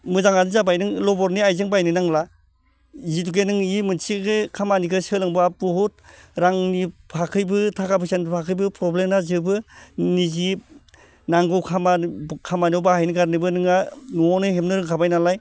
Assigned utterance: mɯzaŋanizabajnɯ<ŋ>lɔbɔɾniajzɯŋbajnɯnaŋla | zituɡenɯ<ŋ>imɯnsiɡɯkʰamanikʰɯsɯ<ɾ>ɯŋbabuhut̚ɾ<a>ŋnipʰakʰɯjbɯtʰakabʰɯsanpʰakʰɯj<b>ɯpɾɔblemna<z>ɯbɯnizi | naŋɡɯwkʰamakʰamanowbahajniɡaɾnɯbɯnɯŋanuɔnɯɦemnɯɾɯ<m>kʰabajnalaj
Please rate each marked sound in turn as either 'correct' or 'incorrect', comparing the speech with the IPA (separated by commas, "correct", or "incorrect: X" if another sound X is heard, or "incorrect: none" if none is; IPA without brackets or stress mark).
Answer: correct, correct, incorrect: l, correct, correct, correct, incorrect: ŋ